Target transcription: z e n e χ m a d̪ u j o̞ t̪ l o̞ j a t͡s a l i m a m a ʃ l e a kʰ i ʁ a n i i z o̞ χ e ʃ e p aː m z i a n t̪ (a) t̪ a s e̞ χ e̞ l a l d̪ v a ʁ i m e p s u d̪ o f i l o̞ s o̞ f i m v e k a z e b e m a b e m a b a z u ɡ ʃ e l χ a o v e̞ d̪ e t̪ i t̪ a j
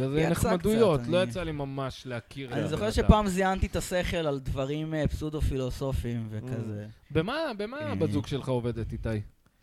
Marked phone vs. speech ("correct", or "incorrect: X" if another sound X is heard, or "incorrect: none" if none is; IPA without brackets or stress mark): incorrect: i